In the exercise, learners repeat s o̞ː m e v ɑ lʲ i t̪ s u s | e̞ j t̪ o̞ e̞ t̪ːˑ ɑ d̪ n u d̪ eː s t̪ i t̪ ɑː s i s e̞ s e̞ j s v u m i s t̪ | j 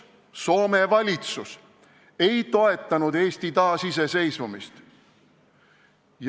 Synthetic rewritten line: s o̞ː m e v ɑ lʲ i t̪ s u s | e̞ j t̪ o̞ e̞ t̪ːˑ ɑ n u d̪ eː s t̪ i t̪ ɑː s i s e̞ s e̞ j s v u m i s t̪ | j